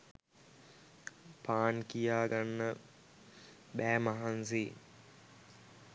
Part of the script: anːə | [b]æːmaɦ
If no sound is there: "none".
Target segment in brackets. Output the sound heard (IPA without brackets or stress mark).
b